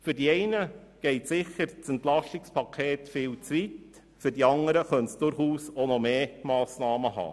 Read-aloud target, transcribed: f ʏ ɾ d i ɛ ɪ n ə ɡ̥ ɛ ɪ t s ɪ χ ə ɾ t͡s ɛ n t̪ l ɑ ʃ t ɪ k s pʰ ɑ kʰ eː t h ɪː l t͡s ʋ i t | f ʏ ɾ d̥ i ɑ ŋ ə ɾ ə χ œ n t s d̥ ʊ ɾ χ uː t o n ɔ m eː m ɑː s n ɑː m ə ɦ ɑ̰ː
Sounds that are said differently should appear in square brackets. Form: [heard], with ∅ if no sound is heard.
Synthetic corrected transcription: f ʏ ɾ d i ɛ ɪ n ə ɡ̥ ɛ ɪ t s ɪ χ ə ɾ t͡s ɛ n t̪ l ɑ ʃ t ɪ k s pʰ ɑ kʰ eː t [f] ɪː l t͡s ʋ i t | f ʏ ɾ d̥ i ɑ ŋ ə ɾ ə χ œ n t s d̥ ʊ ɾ χ uː [s] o n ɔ m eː m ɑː s n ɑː m ə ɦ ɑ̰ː